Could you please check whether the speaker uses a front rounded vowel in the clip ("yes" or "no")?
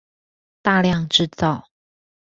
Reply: no